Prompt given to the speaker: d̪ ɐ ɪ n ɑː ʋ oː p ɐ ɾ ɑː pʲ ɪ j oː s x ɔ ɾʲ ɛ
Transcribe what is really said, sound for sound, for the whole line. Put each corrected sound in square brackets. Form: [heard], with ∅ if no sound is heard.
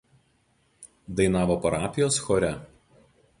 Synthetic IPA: d̪ ɐ ɪ n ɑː ʋ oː p ɐ ɾ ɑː pʲ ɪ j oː s x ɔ ɾʲ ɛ